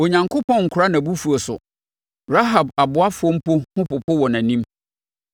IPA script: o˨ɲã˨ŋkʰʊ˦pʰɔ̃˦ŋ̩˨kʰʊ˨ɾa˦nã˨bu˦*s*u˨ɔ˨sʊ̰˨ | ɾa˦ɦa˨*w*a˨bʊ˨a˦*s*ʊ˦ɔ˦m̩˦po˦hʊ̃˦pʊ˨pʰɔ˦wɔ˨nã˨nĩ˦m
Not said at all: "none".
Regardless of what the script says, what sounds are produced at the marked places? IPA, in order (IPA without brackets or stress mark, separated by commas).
f, b, f